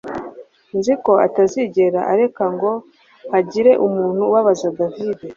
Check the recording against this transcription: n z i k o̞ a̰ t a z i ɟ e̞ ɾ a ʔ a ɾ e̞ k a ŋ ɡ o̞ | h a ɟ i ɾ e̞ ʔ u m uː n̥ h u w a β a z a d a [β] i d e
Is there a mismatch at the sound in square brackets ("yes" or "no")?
yes